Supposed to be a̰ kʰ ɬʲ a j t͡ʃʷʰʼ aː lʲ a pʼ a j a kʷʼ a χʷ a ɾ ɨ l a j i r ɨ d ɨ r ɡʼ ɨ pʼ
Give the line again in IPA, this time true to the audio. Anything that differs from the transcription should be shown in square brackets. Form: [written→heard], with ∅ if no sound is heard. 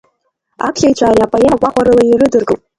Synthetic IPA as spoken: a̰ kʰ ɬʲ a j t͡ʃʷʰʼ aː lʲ a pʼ a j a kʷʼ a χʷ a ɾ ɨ l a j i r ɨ d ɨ r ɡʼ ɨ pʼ